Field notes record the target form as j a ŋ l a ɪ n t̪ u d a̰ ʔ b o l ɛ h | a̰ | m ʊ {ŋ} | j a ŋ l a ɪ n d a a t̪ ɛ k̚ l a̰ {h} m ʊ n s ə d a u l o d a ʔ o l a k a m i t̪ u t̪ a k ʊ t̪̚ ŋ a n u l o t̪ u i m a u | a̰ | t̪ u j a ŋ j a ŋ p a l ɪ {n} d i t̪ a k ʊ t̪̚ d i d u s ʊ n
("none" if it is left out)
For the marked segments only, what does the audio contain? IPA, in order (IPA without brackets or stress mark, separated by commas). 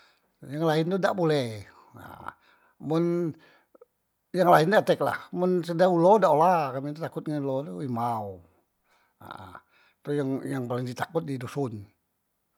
n, h, ŋ